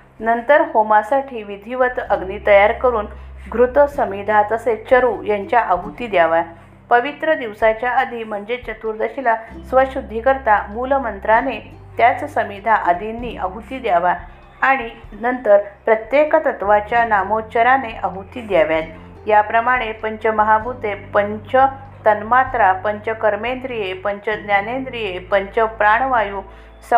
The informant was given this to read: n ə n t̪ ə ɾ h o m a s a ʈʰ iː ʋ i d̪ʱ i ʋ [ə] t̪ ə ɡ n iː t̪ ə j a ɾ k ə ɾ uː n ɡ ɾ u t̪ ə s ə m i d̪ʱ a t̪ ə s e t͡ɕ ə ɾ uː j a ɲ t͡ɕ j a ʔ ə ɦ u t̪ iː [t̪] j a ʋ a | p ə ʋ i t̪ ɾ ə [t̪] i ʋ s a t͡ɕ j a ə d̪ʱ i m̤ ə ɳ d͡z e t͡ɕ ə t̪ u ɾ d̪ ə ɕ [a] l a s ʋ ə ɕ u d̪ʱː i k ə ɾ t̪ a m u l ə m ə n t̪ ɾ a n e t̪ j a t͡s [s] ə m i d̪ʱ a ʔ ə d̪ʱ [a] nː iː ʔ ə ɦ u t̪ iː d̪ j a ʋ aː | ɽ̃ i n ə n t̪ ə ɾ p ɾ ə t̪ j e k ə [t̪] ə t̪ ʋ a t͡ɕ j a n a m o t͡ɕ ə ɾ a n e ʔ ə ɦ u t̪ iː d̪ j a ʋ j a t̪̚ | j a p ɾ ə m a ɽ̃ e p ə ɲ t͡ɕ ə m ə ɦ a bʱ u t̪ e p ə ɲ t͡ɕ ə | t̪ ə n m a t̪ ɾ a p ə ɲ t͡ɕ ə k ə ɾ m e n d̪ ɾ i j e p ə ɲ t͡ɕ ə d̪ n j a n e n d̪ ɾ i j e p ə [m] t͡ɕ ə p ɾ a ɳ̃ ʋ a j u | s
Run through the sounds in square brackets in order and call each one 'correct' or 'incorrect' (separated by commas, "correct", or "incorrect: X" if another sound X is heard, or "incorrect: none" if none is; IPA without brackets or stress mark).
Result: correct, incorrect: d̪, incorrect: d̪, incorrect: i, correct, incorrect: i, correct, incorrect: ɲ